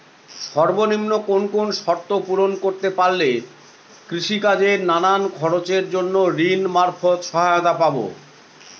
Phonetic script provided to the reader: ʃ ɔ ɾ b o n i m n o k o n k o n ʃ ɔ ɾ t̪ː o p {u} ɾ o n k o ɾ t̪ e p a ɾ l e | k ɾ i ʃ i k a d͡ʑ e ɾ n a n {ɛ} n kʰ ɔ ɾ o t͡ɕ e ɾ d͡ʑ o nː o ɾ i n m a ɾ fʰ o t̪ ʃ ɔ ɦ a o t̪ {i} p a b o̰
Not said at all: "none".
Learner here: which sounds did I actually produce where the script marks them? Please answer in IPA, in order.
u, a, a

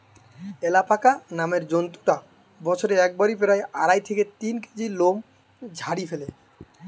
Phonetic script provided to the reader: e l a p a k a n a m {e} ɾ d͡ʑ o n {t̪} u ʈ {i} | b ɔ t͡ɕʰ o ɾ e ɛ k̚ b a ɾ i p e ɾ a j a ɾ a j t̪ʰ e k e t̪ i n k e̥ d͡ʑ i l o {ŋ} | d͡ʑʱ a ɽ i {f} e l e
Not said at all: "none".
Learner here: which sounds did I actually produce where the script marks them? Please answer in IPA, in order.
e, t̪, a, m, f

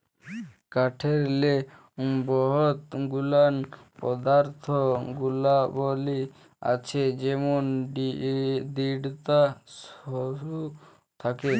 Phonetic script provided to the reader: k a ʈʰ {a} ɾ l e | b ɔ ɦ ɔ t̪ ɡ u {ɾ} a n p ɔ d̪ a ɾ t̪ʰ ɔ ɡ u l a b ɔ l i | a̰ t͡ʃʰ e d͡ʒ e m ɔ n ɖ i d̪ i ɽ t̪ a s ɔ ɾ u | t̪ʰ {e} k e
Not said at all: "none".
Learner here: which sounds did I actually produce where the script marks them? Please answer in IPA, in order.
e, l, a

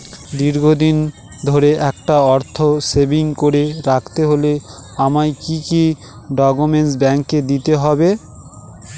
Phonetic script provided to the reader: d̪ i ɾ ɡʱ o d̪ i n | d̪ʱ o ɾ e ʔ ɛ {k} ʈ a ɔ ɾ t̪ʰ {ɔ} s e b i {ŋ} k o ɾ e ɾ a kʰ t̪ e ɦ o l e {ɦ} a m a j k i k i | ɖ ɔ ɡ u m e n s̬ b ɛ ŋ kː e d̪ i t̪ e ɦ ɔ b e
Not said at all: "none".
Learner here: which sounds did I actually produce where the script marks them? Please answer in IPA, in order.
k, o, ŋ, none

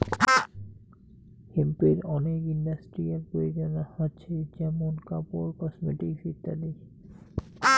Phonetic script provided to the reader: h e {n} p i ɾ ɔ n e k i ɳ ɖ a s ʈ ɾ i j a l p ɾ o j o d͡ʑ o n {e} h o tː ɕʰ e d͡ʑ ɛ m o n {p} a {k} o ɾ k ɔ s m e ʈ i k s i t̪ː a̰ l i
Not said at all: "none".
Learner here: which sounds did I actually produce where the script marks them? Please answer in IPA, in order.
m, a, k, p

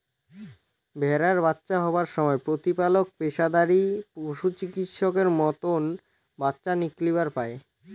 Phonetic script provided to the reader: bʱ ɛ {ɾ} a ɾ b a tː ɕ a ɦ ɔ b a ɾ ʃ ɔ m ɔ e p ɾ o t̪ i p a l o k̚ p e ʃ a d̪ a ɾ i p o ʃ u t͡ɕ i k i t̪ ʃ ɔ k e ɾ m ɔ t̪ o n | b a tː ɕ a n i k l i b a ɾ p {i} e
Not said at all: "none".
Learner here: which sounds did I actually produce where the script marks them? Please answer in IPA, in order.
ɾ, a

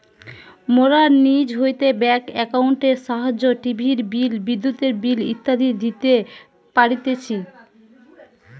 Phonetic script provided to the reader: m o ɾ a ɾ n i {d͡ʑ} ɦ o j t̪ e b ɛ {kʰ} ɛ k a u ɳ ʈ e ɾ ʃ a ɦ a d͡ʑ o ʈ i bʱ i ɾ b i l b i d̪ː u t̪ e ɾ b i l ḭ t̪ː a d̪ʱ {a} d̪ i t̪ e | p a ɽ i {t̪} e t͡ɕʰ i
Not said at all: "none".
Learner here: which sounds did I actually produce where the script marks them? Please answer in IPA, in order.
d͡ʑ, k, i, t̪

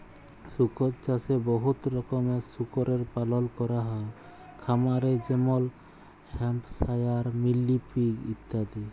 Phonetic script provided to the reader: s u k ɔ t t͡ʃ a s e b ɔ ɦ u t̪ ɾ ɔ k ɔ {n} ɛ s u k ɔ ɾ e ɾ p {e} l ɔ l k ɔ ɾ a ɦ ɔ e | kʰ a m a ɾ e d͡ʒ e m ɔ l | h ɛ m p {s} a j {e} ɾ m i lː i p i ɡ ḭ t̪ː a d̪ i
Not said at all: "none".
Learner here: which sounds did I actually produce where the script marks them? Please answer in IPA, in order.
m, a, s, a

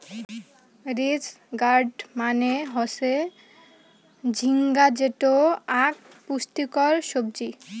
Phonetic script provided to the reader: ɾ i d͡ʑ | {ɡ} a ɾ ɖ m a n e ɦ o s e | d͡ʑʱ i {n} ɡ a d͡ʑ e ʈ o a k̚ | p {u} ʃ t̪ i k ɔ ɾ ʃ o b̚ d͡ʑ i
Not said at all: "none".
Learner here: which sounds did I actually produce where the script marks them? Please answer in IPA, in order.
ɡ, ŋ, u

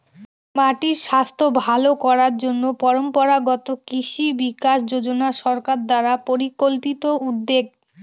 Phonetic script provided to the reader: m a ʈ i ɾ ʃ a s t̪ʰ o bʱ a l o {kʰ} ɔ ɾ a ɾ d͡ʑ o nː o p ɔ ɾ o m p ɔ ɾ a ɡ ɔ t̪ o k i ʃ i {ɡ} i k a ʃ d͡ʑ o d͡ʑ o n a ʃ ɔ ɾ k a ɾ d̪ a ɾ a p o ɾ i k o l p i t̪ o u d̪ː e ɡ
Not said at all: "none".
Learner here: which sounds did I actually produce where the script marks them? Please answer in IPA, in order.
k, b

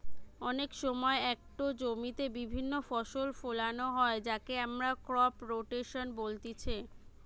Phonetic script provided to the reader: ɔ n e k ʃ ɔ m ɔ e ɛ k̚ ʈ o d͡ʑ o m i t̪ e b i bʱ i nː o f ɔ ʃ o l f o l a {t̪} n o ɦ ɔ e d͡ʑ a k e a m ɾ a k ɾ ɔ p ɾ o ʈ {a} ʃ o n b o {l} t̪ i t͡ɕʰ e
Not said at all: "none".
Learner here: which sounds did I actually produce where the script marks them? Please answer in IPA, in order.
none, e, l

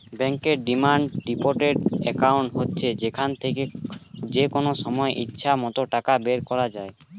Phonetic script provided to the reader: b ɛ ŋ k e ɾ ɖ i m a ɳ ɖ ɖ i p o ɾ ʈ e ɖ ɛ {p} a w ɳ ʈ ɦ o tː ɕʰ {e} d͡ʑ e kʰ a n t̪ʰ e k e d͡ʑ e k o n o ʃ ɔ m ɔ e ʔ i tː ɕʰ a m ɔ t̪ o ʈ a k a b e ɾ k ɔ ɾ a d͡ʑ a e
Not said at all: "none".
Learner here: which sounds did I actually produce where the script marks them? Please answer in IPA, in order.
k, e

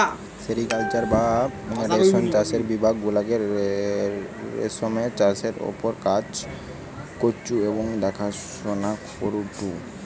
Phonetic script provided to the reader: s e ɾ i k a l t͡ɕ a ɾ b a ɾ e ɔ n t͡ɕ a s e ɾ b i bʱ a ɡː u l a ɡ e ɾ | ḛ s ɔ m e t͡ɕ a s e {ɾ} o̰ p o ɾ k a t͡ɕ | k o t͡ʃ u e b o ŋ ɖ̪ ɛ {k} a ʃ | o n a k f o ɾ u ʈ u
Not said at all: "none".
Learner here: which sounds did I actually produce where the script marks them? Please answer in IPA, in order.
ɾ, kʰ

